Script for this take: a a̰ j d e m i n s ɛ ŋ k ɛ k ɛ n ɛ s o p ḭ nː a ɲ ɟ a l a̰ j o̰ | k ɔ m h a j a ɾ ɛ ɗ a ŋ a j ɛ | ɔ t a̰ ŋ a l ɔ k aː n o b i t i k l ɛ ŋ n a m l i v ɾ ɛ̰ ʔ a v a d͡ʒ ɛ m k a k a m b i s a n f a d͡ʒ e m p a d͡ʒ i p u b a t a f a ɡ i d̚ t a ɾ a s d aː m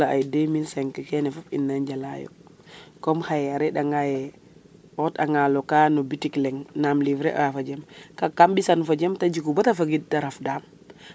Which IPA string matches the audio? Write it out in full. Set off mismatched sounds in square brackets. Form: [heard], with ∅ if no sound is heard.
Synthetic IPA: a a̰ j d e m i n s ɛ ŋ k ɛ k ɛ n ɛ [f] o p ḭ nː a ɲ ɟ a l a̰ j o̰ | k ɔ m h a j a ɾ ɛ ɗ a ŋ a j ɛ | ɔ t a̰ ŋ a l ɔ k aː n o b i t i k l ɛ ŋ n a m l i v ɾ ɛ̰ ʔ a [f] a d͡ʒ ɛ m k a k a m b i s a n f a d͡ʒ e m [t] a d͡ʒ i [k] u b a t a f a ɡ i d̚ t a ɾ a [f] d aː m